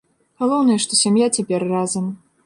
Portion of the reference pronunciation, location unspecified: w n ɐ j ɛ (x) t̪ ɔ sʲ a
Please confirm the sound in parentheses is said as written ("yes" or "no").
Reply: no